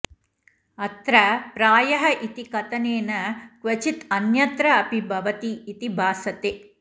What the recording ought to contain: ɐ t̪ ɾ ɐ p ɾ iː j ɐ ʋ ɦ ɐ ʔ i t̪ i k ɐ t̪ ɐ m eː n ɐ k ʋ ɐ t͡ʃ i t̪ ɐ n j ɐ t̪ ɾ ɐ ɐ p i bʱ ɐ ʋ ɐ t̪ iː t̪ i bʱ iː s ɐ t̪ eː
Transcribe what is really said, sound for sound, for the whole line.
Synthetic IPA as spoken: ɐ t̪ ɾ ɐ p ɾ aː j ɐ ɦ ɐ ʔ i t̪ i k ɐ t̪ ɐ n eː n ɐ k ʋ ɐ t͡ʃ i t̪ ɐ n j ɐ t̪ ɾ ɐ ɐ p i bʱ ɐ ʋ ɐ t̪ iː t̪ i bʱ aː s ɐ t̪ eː